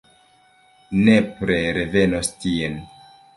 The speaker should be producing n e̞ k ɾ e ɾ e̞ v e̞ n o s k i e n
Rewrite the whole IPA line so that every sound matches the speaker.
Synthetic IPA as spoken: n e̞ p ɾ e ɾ e̞ v e̞ n o s t i e n